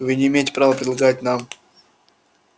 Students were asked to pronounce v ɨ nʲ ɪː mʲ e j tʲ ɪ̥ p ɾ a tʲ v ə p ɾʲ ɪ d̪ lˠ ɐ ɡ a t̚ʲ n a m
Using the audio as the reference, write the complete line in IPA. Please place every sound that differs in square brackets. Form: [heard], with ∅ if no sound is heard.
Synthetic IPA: v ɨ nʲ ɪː mʲ e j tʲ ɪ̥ p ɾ a [∅] v ə p ɾʲ ɪ d̪ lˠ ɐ ɡ a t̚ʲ n a m